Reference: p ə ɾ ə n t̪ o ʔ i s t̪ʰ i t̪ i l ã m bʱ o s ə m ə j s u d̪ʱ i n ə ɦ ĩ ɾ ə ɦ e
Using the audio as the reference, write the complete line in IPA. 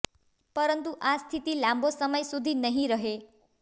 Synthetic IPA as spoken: p ə ɾ ə n t̪ u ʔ a s t̪ʰ i t̪ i l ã m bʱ o s ə m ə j s u d̪ʱ i n ə ɦ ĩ ɾ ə ɦ e